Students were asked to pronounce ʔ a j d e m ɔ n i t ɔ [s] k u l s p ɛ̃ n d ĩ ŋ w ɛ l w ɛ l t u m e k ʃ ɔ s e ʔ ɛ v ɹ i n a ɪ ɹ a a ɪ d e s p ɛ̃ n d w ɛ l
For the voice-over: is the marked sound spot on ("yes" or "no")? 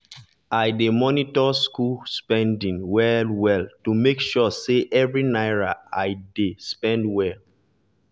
yes